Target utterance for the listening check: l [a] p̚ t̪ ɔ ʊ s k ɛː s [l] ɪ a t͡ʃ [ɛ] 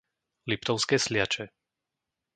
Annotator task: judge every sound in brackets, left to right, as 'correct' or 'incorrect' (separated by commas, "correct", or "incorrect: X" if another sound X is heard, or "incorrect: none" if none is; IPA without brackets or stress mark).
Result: incorrect: i, correct, correct